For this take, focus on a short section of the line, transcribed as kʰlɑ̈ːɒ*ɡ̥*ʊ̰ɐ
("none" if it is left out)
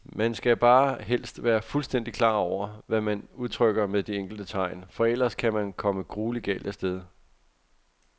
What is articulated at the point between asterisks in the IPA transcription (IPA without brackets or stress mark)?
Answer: none